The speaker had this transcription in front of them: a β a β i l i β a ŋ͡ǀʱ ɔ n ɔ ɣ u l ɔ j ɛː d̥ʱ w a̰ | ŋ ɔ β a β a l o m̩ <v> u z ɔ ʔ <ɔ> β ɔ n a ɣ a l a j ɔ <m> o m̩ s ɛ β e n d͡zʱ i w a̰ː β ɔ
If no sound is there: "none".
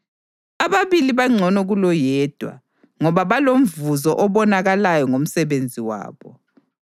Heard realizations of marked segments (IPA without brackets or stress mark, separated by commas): v, ɔ, ŋ